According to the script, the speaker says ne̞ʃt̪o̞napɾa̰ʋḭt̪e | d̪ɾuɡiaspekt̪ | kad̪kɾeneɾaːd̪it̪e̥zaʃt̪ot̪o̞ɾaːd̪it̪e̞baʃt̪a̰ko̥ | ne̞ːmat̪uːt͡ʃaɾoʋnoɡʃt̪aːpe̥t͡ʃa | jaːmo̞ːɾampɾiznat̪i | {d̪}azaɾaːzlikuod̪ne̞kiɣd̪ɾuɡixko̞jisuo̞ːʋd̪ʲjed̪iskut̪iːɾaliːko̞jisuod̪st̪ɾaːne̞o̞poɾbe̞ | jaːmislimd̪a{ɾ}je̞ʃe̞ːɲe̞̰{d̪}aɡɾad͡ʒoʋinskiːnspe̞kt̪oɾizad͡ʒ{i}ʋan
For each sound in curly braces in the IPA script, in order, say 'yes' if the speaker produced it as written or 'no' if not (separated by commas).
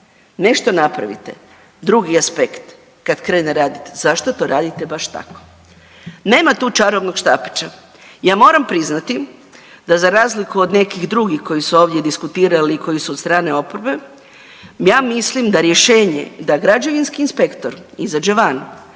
yes, yes, yes, no